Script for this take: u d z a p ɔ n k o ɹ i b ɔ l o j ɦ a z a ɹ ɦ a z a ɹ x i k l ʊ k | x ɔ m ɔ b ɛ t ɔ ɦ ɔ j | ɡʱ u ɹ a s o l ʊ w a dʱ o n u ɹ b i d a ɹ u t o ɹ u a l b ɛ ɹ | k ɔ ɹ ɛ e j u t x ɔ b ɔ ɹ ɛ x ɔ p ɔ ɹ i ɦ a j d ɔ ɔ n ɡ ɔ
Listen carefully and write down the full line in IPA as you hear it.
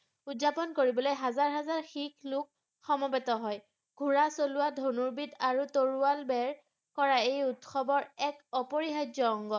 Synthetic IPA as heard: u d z a p ɔ n k o ɹ i b ɔ l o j ɦ a z a ɹ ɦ a z a ɹ x i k l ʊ k | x ɔ m ɔ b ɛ t ɔ ɦ ɔ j | ɡʱ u ɹ a s o l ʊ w a dʱ o n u ɹ b i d a ɹ u t o ɹ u a l b ɛ ɹ | k ɔ ɹ a e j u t x ɔ b ɔ ɹ ɛ k ɔ p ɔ ɹ i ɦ a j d ɔ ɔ ŋ ɡ ɔ